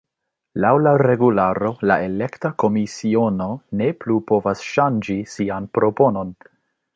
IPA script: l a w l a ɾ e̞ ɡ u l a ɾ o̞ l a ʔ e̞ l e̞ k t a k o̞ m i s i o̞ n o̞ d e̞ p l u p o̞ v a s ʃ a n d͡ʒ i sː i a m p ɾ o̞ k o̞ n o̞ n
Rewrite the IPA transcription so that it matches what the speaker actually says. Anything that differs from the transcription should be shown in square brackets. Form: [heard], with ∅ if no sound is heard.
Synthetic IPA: l a w l a ɾ e̞ ɡ u l a ɾ o̞ l a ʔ e̞ l e̞ k t a k o̞ m i s i o̞ n o̞ [n] e̞ p l u p o̞ v a s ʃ a n d͡ʒ i [s] i a [n] p ɾ o̞ [p] o̞ n o̞ n